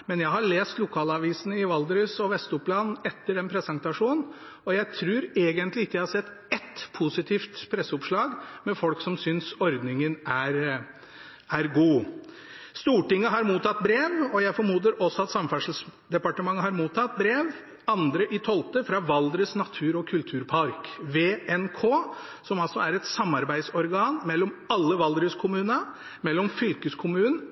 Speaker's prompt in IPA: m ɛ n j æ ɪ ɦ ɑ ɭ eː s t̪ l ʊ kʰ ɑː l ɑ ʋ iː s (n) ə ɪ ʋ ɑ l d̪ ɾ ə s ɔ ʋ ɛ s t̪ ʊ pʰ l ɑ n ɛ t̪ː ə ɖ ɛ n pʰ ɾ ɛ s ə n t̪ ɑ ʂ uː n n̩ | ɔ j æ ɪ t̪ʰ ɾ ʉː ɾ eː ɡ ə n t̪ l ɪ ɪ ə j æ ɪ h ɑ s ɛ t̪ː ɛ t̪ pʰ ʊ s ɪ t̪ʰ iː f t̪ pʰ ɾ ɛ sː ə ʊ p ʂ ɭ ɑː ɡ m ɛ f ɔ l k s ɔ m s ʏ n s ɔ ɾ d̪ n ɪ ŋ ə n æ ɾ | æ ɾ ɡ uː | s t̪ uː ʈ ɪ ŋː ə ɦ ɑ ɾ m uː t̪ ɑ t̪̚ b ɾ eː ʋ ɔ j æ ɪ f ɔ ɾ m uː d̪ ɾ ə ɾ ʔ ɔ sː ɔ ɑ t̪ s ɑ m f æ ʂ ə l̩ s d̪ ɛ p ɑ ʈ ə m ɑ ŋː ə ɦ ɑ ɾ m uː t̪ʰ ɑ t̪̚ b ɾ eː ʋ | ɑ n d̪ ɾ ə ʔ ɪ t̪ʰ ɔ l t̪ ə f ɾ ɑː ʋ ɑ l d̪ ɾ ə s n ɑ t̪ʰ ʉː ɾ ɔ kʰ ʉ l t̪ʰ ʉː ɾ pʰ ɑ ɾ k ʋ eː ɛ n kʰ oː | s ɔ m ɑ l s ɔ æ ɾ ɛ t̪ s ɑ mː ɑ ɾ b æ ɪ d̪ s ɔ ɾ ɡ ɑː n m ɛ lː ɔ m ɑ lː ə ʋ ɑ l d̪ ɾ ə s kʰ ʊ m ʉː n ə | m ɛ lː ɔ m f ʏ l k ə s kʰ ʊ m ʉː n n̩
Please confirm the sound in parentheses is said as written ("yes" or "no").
yes